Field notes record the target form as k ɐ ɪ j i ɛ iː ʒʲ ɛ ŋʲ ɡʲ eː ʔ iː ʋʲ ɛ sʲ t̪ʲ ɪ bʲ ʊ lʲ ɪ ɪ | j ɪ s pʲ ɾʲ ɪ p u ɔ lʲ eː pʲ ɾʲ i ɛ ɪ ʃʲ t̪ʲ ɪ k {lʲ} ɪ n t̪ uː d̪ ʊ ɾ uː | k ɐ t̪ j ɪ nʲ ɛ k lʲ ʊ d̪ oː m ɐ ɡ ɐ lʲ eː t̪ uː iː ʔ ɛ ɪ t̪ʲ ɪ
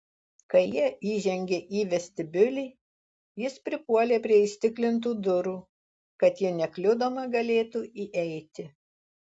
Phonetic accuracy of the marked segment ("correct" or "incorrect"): correct